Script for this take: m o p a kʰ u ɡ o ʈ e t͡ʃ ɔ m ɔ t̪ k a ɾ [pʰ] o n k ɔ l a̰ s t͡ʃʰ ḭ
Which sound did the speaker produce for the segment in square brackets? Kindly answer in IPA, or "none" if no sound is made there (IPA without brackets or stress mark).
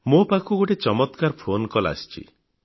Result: pʰ